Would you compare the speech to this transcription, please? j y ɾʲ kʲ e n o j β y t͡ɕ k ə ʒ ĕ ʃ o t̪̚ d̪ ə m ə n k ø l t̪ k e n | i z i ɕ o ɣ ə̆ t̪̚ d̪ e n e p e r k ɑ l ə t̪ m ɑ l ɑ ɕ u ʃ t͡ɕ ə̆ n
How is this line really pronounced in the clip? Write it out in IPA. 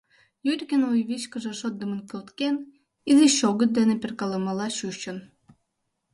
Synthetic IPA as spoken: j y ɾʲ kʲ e n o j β i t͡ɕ k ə ʒ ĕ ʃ o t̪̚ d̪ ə m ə n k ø l t̪ k e n | i z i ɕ o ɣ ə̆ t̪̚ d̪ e n e p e r k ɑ l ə m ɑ l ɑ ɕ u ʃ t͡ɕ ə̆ n